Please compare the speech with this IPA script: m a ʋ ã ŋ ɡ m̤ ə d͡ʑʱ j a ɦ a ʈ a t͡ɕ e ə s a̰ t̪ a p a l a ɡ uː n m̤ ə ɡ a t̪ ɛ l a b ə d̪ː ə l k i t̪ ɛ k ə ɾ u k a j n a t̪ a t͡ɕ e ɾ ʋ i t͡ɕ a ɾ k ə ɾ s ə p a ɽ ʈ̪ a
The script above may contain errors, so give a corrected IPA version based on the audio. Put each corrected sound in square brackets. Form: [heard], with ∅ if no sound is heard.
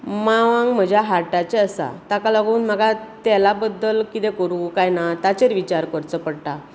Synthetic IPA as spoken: m a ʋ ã ŋ ɡ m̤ ə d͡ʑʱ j a ɦ a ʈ a t͡ɕ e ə s a̰ t̪ a [k] a l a ɡ uː n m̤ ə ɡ a t̪ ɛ l a b ə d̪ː ə l k i t̪ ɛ k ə ɾ u k a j n a t̪ a t͡ɕ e ɾ ʋ i t͡ɕ a ɾ k ə ɾ [t͡s] ə p [ə] ɽ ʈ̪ a